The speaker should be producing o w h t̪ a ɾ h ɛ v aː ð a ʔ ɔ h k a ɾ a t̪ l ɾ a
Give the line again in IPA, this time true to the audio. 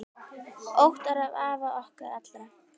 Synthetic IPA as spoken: o w h t̪ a ɾ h a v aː v a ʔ ɔ h k a ɾ a t̪ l ɾ a